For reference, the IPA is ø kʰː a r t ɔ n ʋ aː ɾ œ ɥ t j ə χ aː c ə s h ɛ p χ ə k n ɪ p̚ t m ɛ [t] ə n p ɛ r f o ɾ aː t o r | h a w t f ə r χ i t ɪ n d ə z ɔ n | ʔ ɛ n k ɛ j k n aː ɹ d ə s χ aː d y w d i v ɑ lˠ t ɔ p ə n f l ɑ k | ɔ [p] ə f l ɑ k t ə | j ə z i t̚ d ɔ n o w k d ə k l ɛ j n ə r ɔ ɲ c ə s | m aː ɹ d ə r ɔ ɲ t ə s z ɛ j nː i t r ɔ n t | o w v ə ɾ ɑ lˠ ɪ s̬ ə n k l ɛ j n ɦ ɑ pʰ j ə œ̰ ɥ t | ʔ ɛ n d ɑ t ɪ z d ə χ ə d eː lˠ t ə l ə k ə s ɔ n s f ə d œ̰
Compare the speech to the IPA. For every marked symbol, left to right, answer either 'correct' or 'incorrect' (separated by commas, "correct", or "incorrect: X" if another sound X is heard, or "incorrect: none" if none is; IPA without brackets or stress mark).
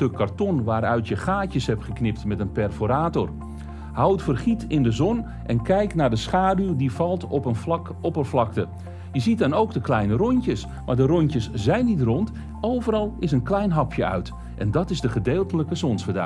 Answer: correct, correct